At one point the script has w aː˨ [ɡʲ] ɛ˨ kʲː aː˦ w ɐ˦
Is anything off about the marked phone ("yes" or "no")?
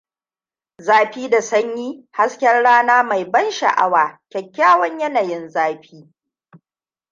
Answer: yes